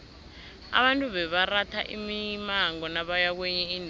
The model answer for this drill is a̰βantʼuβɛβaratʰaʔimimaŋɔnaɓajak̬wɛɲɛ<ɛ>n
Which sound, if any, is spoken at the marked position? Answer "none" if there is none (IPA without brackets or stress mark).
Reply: i